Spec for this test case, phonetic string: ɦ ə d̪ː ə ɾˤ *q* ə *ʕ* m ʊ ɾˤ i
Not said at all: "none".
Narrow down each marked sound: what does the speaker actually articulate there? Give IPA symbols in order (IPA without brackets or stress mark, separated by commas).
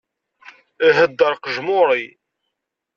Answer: q, ʒ